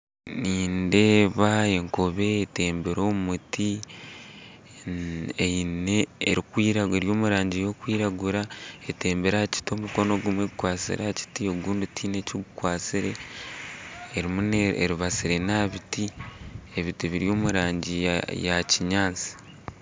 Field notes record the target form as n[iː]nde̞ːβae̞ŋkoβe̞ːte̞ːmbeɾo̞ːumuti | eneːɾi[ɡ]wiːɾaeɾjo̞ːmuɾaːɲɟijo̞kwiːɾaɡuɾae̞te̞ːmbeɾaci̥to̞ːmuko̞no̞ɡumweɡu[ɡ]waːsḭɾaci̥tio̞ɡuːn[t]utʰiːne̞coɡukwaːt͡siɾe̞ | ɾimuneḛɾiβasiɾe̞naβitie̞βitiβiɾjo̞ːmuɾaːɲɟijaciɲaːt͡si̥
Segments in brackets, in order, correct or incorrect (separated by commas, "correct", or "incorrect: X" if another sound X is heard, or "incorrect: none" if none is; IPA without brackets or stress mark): correct, incorrect: k, incorrect: k, incorrect: d